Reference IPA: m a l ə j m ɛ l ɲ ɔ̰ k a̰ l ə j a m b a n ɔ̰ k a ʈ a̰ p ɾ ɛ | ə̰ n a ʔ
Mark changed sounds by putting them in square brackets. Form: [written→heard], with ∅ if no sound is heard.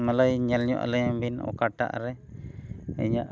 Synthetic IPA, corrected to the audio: m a l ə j [m→ɲ] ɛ l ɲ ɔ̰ [k→ʔ] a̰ l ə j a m b [a→i] n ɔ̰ k a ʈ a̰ [p→ʔ] ɾ ɛ | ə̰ [n→ɲ] a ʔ